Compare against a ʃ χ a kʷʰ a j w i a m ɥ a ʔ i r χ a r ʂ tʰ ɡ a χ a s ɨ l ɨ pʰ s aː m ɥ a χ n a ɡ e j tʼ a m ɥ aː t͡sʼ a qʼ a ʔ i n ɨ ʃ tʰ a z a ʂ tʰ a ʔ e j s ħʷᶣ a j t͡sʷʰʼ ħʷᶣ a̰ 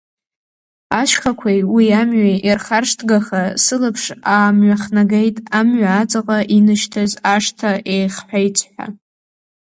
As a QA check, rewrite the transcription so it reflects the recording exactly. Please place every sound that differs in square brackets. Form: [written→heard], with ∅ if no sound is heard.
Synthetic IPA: a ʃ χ a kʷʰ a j w i a m ɥ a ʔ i r χ a r ʂ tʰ ɡ a χ a s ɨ l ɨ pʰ [s→ʂ] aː m ɥ a χ n a ɡ e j tʼ a m ɥ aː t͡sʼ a qʼ a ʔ i n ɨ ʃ tʰ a z a ʂ tʰ a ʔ e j [s→χ] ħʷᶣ a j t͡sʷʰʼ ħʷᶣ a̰